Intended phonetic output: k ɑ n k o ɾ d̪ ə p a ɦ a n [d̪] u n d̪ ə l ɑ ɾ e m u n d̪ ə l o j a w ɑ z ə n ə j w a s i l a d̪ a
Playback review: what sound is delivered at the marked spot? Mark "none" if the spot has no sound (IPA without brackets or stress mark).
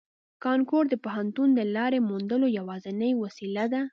t̪